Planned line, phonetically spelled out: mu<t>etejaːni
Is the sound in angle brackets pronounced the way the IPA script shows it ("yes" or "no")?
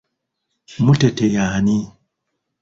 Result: yes